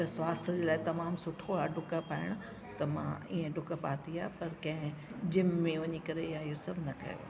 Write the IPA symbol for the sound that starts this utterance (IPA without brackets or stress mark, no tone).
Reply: t̪